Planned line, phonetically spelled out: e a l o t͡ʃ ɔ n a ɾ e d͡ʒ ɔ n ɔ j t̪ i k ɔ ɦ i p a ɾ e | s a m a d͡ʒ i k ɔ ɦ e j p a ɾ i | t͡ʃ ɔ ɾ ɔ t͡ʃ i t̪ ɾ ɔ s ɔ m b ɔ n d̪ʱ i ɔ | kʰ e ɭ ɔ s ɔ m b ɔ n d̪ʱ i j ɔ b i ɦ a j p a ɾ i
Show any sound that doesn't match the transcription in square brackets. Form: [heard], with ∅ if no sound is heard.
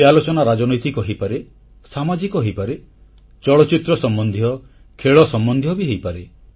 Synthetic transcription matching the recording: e a l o t͡ʃ ɔ n a ɾ [a] d͡ʒ ɔ n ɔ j t̪ i k ɔ ɦ i p a ɾ e | s a m a d͡ʒ i k ɔ ɦ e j p a ɾ [e] | t͡ʃ ɔ [ɭ] ɔ t͡ʃ i t̪ ɾ ɔ s ɔ m b ɔ n d̪ʱ i ɔ | kʰ e ɭ ɔ s ɔ m b ɔ n d̪ʱ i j ɔ b i ɦ [e] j p a ɾ [e]